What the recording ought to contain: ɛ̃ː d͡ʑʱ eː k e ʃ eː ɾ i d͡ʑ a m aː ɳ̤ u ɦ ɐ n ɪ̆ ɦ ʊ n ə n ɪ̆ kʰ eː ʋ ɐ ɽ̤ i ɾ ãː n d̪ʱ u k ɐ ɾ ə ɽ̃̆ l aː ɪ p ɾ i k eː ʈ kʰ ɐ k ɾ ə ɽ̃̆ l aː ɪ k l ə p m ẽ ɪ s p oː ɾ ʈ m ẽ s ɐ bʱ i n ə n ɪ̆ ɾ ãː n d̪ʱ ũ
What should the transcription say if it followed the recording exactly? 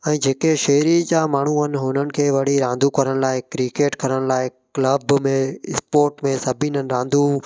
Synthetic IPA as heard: ɛ̃ː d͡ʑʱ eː k e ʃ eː ɾ i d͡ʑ a m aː ɳ̤ u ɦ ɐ n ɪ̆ ɦ ʊ n ə n ɪ̆ kʰ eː ʋ ɐ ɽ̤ i ɾ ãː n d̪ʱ u k ɐ ɾ ə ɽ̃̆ l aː ɪ k ɾ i k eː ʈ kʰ ɐ ɾ ə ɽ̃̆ l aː ɪ k l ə b m ẽ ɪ s p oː ɾ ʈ m ẽ s ɐ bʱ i n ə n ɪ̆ ɾ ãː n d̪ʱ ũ